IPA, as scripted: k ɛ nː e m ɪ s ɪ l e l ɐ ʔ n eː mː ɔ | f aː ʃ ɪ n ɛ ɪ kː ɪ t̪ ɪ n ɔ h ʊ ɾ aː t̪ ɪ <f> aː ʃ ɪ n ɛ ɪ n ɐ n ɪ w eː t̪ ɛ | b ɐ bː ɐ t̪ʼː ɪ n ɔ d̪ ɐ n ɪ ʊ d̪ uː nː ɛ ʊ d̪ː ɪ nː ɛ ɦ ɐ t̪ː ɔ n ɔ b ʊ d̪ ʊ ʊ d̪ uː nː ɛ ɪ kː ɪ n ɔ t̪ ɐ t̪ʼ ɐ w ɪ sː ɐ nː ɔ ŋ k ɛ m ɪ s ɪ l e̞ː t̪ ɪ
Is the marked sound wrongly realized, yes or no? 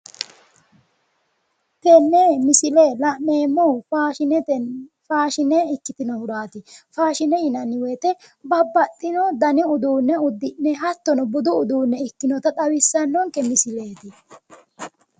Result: no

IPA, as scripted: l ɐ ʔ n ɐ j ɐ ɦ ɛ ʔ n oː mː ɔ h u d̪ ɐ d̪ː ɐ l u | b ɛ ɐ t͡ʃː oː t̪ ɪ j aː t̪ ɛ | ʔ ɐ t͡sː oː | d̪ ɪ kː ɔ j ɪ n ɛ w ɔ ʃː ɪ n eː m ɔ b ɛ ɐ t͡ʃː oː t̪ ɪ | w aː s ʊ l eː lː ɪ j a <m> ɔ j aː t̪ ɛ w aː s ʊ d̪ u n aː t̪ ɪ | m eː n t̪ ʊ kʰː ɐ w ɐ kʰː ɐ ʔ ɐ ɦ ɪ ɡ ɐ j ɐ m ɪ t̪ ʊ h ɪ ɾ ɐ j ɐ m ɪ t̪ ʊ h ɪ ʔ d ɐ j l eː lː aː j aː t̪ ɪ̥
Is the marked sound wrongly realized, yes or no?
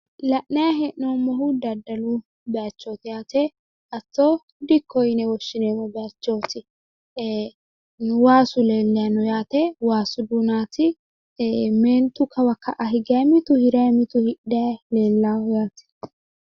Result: yes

